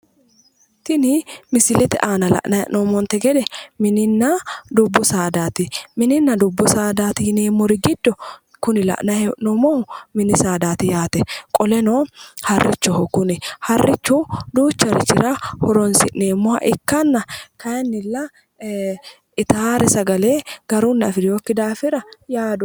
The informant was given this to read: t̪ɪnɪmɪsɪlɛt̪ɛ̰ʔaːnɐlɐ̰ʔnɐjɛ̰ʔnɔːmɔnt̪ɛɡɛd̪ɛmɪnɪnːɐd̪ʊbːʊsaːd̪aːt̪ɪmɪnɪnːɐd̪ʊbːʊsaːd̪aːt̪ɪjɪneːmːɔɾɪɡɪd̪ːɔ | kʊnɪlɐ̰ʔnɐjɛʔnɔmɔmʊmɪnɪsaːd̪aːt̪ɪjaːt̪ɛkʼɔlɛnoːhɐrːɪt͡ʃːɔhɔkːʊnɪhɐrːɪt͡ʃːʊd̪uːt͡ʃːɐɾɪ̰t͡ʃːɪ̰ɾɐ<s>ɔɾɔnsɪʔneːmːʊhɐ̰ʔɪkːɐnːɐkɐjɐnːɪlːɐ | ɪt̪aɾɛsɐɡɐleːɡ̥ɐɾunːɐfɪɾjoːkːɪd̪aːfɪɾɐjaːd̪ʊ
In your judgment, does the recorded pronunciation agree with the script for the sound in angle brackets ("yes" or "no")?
no